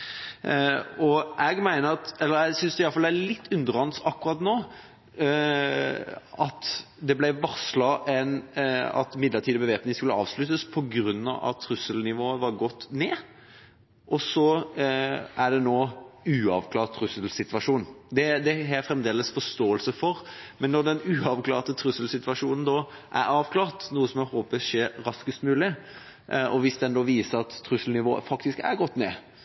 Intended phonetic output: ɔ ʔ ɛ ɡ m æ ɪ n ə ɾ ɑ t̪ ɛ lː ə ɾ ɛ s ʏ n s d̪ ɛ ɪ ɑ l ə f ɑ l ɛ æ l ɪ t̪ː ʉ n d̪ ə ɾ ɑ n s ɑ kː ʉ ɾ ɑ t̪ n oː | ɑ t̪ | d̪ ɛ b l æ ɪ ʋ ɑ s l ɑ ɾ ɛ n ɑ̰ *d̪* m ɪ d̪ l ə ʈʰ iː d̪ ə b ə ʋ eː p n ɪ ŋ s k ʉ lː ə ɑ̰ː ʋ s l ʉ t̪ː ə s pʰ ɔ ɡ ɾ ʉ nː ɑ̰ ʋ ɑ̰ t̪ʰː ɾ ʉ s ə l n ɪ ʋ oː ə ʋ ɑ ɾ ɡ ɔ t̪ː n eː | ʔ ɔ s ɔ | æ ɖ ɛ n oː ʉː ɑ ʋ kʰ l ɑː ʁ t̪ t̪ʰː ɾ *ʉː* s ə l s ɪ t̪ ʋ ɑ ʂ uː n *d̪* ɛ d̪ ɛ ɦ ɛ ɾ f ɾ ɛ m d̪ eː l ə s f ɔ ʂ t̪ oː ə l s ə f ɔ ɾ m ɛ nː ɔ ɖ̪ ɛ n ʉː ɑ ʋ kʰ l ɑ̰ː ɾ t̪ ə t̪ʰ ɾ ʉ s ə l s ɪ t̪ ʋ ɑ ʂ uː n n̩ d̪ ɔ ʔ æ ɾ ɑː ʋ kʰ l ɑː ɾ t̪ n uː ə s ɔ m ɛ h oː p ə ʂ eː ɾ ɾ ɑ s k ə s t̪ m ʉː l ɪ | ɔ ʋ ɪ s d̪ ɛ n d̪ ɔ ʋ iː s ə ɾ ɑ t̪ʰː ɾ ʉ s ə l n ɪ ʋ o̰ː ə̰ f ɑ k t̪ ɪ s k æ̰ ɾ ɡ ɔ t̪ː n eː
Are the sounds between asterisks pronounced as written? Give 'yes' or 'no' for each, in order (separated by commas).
no, no, yes